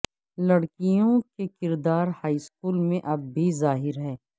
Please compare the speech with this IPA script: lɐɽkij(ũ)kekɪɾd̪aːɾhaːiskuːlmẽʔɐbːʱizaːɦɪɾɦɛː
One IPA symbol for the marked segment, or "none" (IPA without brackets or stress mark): õ